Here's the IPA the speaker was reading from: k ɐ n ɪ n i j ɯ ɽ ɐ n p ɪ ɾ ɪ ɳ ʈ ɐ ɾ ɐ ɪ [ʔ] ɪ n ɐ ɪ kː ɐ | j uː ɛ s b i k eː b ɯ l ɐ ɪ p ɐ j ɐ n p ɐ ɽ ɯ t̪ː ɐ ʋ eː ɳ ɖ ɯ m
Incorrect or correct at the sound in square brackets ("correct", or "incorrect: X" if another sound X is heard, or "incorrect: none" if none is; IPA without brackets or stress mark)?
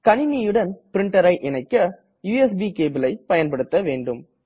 correct